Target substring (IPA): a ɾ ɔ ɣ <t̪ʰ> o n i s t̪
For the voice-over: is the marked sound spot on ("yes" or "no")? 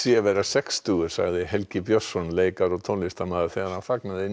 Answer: yes